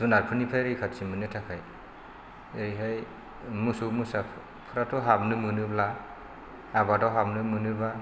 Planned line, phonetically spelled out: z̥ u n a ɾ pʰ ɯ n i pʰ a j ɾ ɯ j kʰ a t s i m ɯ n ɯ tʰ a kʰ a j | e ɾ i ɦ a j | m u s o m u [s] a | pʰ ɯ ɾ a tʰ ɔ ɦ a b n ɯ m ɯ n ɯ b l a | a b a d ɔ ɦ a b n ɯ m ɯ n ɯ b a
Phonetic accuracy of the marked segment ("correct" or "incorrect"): correct